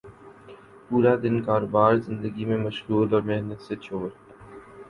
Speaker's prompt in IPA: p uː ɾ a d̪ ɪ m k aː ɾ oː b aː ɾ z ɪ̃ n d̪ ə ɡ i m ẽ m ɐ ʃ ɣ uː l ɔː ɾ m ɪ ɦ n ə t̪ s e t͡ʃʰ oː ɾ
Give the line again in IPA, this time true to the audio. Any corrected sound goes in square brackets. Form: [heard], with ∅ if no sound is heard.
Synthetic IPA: p uː ɾ a d̪ ɪ [n] k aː ɾ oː b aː ɾ z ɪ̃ n d̪ ə ɡ i m ẽ m ɐ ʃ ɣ uː l ɔː ɾ m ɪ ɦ n ə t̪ s e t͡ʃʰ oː ɾ